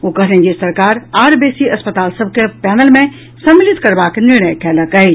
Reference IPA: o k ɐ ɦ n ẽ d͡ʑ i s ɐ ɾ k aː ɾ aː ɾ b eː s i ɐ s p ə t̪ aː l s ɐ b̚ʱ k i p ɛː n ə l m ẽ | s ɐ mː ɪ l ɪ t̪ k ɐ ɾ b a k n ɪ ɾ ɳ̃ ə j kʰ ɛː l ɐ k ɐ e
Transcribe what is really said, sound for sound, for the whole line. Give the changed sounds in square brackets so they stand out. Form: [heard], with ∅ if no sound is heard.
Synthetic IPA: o k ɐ ɦ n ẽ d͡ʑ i s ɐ ɾ k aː ɾ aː ɾ b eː s i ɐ s p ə t̪ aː l s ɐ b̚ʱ k [e] p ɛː n ə l m ẽ | s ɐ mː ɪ l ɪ t̪ k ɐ ɾ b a k n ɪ ɾ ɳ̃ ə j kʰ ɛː l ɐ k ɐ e